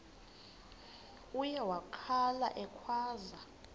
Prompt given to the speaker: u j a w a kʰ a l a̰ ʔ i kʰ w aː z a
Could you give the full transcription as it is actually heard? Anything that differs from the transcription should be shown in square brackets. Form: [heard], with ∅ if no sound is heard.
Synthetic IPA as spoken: u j [ɛ] w a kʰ a l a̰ ʔ [ɛ] kʰ w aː z a